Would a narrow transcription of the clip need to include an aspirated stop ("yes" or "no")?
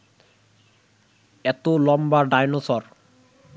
no